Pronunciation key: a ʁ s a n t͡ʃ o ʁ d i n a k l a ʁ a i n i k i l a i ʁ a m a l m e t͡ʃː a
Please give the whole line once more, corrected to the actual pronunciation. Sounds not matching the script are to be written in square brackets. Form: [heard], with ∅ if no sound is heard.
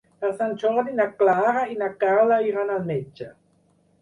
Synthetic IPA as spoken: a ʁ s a n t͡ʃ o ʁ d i n a k l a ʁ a i n [a] k [a] l a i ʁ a [n] a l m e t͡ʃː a